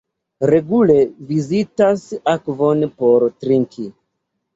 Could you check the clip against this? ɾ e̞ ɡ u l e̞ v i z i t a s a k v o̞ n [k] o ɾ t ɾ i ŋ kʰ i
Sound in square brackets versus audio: incorrect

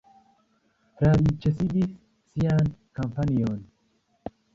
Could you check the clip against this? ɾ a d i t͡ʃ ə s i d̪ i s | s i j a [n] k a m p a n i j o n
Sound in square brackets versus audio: correct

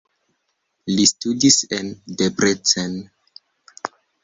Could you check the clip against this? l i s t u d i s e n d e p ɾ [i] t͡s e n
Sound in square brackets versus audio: incorrect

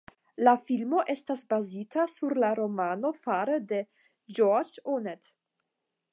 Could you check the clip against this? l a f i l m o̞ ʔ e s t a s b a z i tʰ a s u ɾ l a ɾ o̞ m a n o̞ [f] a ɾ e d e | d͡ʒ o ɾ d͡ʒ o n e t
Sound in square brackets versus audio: correct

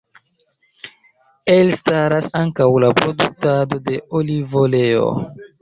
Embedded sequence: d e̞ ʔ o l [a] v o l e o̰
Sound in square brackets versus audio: incorrect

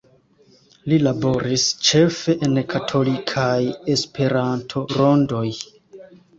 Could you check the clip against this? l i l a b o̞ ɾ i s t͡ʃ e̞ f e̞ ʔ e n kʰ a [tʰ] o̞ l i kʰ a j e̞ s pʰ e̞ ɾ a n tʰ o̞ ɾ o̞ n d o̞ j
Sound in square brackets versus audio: correct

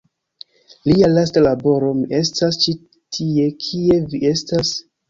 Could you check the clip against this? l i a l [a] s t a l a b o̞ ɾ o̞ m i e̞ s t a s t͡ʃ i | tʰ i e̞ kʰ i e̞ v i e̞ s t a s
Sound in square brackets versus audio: correct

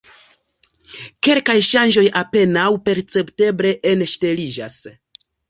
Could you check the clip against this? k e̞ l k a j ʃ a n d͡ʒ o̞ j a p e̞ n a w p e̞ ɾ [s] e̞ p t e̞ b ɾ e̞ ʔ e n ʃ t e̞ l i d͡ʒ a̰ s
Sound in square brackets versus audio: incorrect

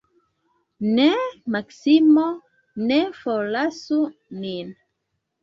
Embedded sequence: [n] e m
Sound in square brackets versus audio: correct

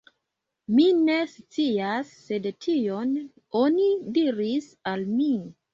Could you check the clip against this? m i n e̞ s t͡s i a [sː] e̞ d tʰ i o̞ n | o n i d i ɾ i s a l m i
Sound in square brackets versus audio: correct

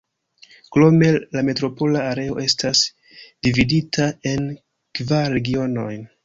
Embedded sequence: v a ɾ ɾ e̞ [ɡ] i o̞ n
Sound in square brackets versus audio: correct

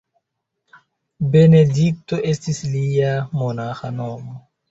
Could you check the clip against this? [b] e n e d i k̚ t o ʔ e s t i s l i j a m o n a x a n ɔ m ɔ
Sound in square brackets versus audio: correct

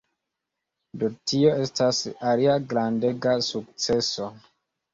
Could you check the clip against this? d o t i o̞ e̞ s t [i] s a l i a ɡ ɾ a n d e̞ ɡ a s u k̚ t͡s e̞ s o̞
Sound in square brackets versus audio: incorrect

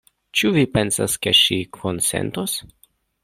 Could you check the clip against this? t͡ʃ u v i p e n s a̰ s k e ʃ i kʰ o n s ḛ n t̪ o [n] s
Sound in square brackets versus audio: incorrect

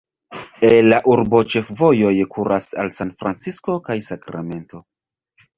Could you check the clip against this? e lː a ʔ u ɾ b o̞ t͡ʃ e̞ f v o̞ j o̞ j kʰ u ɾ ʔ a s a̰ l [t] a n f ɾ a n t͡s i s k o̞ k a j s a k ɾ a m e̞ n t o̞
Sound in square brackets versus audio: incorrect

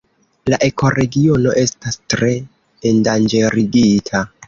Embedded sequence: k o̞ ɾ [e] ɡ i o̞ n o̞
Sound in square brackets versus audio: correct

